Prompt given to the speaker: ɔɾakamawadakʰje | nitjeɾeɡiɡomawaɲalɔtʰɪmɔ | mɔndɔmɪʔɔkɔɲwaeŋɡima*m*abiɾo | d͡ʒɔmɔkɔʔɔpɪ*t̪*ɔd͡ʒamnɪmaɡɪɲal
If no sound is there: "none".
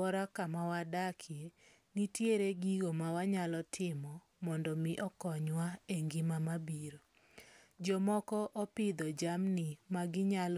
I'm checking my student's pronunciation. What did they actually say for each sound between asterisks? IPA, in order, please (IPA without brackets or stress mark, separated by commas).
m, d̪